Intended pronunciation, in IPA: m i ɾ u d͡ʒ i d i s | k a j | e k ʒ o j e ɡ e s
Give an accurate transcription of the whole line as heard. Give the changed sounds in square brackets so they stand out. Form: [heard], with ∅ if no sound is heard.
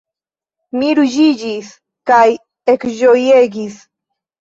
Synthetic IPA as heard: m i ɾ u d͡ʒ i [d͡ʒ] i s | k a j | e k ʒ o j e ɡ [i] s

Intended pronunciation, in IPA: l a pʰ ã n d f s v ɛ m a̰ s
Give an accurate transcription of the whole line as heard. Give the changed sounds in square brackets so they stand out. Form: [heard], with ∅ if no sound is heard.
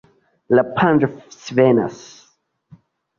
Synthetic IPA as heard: l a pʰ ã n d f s v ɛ [n] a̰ s

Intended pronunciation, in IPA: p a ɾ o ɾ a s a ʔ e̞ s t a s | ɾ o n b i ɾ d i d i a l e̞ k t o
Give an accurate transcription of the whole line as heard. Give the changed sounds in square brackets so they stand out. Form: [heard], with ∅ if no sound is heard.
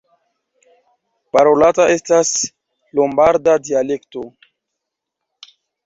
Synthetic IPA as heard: p a ɾ o [l] a [t] a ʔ e̞ s t a s | [l] o [m] b [a] ɾ d [a] d i a l e̞ k t o

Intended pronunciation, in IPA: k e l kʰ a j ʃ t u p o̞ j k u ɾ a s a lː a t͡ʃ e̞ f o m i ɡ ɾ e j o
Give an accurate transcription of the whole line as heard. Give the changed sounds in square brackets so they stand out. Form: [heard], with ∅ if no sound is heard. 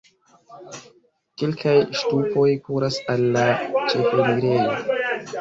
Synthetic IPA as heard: k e l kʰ a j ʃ t u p o̞ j k u ɾ a s a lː a t͡ʃ e̞ f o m i ɡ ɾ e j o

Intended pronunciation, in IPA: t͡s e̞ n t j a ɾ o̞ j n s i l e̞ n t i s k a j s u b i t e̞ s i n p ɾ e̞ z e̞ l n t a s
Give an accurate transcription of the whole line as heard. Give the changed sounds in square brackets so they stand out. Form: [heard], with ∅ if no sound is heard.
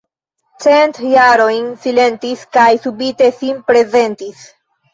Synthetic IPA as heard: t͡s e̞ n t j a ɾ o̞ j n s i l e̞ n t i s k a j s u b i t e̞ s i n p ɾ e̞ z e̞ [∅] n t [i] s

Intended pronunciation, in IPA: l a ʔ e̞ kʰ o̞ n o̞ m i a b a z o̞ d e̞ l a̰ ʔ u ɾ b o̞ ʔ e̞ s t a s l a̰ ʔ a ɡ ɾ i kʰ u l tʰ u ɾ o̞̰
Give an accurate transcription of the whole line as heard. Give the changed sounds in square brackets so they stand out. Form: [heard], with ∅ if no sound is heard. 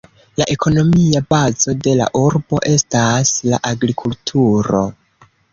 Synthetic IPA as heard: l a ʔ e̞ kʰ o̞ n o̞ m i a b a z o̞ d e̞ l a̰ ʔ u ɾ b o̞ ʔ e̞ s t a s l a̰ ʔ a ɡ ɾ i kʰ u l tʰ u ɾ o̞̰

